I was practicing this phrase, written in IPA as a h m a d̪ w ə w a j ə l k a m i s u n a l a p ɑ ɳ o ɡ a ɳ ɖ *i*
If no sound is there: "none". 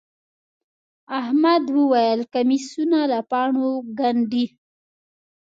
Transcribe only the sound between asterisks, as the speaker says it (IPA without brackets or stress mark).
i